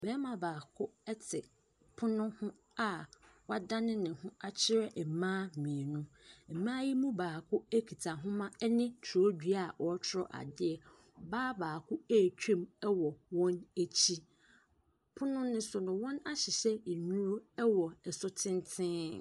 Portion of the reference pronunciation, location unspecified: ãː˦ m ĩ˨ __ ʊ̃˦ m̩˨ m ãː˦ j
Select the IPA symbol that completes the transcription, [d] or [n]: n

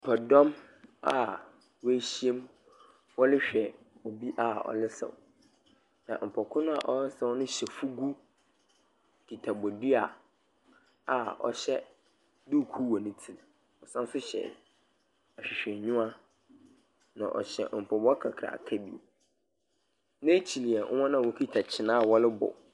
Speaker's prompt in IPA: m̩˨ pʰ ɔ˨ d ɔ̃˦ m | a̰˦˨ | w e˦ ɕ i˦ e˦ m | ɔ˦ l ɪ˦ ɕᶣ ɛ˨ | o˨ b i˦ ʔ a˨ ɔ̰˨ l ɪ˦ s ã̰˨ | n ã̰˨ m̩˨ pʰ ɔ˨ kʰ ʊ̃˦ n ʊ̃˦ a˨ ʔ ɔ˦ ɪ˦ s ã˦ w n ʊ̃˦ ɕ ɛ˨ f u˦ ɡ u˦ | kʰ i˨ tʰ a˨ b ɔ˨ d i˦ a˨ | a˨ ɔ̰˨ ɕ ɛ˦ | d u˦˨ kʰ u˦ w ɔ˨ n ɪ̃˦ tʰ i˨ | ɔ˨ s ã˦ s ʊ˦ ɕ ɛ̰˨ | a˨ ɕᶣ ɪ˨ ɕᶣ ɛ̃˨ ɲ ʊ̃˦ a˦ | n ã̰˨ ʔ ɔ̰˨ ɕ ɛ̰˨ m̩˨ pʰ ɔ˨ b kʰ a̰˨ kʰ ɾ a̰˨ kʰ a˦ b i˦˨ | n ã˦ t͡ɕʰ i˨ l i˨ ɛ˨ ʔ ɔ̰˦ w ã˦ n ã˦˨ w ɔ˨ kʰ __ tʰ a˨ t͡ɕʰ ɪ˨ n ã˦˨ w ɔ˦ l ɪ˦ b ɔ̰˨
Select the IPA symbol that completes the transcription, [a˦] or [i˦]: i˦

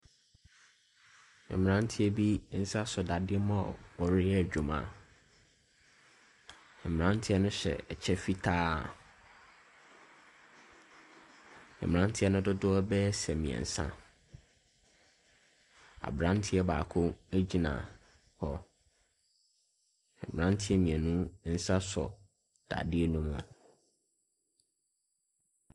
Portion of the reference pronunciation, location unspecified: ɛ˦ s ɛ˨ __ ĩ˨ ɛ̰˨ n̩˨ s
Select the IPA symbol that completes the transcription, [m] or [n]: m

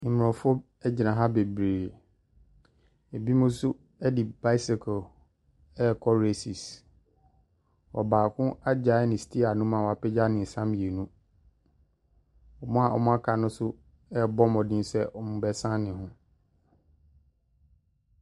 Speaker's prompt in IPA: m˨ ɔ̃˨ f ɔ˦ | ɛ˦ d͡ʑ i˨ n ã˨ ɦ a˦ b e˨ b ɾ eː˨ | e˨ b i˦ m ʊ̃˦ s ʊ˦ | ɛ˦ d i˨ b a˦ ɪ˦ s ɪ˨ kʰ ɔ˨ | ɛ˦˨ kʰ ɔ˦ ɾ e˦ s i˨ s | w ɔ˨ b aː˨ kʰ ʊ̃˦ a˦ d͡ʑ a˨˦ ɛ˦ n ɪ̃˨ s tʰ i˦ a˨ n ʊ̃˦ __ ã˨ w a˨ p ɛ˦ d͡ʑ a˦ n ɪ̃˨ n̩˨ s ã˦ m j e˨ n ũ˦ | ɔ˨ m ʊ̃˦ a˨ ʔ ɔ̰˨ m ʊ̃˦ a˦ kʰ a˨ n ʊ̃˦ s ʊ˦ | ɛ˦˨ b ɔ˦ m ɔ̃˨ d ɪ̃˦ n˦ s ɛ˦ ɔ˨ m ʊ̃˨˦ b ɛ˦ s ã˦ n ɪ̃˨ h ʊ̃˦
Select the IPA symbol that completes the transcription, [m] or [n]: m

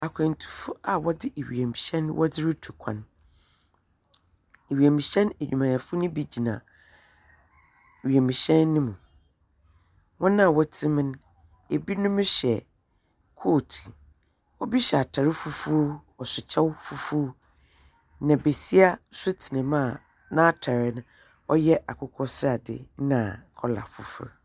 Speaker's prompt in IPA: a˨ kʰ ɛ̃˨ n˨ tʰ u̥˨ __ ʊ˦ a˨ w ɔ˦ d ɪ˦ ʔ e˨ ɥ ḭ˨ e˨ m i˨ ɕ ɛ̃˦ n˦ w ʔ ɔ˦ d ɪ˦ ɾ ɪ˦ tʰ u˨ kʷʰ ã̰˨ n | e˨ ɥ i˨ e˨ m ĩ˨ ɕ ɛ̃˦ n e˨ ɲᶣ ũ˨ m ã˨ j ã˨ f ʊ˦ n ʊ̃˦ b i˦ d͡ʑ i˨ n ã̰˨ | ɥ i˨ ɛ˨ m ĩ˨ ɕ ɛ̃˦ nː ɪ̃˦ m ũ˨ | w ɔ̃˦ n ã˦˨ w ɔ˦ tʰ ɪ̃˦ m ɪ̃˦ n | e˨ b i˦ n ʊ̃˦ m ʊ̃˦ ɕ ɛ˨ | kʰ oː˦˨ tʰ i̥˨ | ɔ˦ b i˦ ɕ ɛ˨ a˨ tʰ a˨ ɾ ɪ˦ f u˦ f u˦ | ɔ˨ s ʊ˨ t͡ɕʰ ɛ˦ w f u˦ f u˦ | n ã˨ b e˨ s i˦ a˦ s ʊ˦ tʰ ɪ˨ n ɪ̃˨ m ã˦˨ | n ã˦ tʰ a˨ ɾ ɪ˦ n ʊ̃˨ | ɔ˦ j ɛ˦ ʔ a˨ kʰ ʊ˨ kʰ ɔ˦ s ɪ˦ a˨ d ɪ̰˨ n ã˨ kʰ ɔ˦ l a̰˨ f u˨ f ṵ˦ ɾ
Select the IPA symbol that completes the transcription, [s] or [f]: f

